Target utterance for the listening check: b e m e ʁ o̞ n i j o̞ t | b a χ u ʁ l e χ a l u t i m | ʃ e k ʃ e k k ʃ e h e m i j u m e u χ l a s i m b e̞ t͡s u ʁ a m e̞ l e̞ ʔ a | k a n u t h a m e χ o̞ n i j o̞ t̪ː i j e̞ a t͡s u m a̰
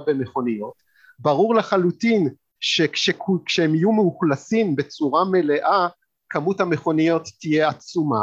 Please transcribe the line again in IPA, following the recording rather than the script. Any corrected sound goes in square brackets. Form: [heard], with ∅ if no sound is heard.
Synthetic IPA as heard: b e m e [χ] o̞ n i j o̞ t | b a [ʁ] u ʁ l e χ a l u t i [n] | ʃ e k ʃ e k k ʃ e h e m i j u m e u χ l a s i m b e̞ t͡s u ʁ a m e̞ l e̞ ʔ a | k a [m] u t h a m e χ o̞ n i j o̞ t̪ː i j e̞ a t͡s u m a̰